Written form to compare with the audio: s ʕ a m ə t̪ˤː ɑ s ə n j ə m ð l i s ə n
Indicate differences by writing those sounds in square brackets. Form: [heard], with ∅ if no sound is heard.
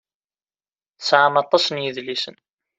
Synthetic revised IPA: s ʕ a m [ɑ] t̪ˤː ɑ s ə n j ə [∅] ð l i s ə n